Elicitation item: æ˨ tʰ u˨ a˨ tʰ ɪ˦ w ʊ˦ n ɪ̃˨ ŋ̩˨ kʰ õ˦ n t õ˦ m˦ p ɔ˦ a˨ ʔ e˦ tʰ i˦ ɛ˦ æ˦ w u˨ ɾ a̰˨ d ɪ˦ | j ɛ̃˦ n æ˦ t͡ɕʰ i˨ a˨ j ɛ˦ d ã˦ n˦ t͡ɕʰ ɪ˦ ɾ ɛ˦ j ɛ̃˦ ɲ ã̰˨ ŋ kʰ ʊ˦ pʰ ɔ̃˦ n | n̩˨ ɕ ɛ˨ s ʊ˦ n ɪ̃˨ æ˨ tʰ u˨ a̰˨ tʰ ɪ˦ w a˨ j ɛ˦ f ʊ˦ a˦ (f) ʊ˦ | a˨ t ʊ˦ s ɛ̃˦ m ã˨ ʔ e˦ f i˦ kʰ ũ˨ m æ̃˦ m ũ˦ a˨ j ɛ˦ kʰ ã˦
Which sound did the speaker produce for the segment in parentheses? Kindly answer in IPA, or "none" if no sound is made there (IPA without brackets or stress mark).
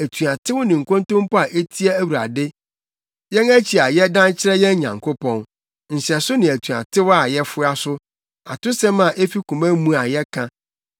s